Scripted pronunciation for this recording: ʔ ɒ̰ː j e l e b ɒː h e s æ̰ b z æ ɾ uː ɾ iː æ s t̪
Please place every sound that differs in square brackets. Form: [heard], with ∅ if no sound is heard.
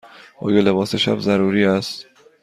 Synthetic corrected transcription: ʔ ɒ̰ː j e l e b ɒː [s] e [ʃ] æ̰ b z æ ɾ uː ɾ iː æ s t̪

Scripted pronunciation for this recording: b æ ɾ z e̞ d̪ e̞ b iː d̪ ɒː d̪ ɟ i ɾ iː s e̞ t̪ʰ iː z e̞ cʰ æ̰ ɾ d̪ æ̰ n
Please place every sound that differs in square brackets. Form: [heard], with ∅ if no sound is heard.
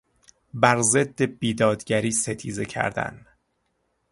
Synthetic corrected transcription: b æ ɾ z e̞ [d̪ː] e̞ b iː d̪ ɒː d̪ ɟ [æ] ɾ iː s e̞ t̪ʰ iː z e̞ cʰ æ̰ ɾ d̪ æ̰ n

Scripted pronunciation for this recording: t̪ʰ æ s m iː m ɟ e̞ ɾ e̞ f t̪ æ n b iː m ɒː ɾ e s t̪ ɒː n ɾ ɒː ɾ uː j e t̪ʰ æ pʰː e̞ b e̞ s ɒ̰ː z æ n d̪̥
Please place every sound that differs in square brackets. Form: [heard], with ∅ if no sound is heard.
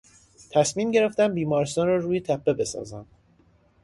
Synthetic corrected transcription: t̪ʰ æ s m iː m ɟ e̞ ɾ e̞ f t̪ æ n b iː m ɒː ɾ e s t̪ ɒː n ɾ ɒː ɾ uː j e t̪ʰ æ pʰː e̞ b e̞ s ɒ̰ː z æ n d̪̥

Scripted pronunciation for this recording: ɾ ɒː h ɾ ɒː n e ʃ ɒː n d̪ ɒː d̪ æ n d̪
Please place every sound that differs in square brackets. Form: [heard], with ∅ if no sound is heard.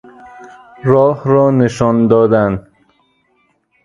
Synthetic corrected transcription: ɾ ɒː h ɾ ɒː n e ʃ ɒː n d̪ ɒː d̪ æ n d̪

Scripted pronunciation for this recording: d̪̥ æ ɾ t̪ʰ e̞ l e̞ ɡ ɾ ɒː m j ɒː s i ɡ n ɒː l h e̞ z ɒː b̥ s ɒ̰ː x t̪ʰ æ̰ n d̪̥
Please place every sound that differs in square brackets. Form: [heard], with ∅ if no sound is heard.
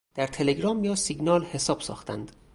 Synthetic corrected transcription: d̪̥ æ ɾ t̪ʰ e̞ l e̞ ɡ ɾ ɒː m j ɒː s i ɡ n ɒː l h e̞ [s] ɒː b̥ s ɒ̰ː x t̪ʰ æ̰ n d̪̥

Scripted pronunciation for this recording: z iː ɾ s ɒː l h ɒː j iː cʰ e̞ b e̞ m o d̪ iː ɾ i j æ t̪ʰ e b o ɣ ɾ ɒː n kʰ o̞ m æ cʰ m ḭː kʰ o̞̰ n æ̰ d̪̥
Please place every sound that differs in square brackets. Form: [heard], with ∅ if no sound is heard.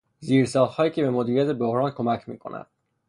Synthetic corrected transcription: z iː ɾ s ɒː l h ɒː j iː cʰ e̞ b e̞ m o d̪ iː ɾ i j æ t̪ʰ e b o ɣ ɾ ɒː n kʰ o̞ m æ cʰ m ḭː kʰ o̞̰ n æ̰ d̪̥

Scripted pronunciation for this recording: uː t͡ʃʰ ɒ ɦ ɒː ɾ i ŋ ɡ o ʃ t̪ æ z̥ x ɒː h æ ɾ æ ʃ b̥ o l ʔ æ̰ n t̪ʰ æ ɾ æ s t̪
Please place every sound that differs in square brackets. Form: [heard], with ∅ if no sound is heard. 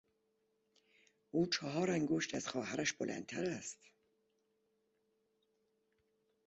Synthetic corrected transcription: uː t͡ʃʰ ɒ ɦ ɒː ɾ [æ] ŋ ɡ o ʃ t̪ æ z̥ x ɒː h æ ɾ æ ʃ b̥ o l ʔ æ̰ n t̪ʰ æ ɾ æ s t̪

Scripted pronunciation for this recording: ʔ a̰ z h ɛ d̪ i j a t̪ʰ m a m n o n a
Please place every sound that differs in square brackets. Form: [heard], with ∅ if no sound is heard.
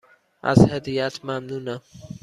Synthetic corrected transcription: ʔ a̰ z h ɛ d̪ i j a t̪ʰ m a m n [u] n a

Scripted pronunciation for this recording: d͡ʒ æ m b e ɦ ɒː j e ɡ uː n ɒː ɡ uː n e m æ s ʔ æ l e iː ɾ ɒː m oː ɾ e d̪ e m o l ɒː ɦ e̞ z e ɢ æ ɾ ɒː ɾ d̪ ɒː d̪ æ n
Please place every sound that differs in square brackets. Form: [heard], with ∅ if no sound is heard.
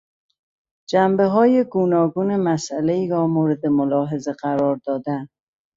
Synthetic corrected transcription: d͡ʒ æ m b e ɦ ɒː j e ɡ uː n ɒː ɡ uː n e m æ s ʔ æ l e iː ɾ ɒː m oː ɾ e d̪ e m o l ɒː ɦ e̞ z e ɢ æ ɾ ɒː ɾ d̪ ɒː d̪ æ n

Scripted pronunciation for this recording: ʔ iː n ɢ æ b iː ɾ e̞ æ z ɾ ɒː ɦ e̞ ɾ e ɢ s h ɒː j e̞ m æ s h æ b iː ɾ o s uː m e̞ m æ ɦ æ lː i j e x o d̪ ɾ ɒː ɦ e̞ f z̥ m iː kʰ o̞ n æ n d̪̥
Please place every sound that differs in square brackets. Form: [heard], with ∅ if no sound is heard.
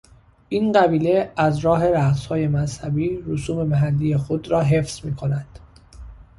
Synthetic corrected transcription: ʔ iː n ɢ æ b iː [l] e̞ æ z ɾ ɒː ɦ e̞ ɾ [æ] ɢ s h ɒː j e̞ m æ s h æ b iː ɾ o s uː m e̞ m æ ɦ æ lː i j e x o d̪ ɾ ɒː ɦ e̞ f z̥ m iː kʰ o̞ n æ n d̪̥

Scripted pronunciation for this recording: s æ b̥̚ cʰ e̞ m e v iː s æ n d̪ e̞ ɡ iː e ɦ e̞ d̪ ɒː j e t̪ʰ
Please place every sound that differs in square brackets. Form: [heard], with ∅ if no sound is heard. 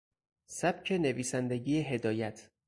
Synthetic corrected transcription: s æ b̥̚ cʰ e̞ [n] e v iː s æ n d̪ e̞ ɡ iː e ɦ e̞ d̪ ɒː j [æ] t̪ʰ

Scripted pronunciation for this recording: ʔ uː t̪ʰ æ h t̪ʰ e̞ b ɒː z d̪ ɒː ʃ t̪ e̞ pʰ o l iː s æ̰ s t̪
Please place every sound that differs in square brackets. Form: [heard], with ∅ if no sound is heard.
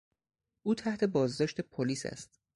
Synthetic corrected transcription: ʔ uː t̪ʰ æ h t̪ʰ e̞ b ɒː z d̪ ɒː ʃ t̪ e̞ pʰ o l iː s æ̰ s t̪

